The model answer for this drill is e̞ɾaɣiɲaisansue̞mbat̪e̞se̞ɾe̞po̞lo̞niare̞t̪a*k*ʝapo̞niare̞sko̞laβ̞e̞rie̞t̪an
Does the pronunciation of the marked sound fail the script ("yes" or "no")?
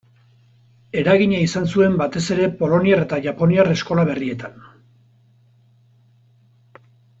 yes